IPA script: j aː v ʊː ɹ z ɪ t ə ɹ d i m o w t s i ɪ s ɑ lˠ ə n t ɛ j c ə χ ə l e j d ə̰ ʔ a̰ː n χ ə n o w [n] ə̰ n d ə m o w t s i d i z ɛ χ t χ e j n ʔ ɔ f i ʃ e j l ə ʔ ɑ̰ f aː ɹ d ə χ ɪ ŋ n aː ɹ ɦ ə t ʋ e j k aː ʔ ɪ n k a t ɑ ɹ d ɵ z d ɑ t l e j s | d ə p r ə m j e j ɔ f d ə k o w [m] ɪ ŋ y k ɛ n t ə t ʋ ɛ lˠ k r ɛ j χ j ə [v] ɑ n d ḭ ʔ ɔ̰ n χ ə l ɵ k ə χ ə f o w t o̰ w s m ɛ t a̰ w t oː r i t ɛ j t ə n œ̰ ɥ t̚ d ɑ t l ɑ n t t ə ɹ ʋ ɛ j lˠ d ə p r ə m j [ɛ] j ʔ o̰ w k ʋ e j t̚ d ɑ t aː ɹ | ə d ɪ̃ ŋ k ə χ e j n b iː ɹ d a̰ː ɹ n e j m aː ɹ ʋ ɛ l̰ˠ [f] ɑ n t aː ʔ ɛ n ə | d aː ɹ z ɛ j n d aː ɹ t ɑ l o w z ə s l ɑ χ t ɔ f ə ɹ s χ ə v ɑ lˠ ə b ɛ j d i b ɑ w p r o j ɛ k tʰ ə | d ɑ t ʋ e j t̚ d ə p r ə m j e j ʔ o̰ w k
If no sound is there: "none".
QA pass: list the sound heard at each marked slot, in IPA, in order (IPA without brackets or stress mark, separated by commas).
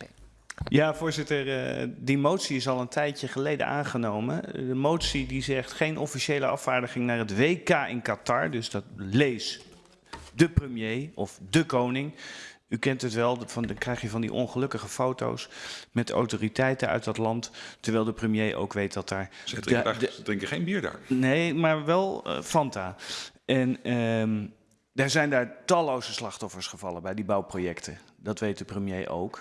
m, n, v, e, f